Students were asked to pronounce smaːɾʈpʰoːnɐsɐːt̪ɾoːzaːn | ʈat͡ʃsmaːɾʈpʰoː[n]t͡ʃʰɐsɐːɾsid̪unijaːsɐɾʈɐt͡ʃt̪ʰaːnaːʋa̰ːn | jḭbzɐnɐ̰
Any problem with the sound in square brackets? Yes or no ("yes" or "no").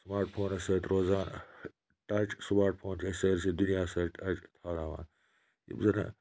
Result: no